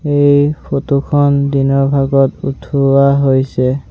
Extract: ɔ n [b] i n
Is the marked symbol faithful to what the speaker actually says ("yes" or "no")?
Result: no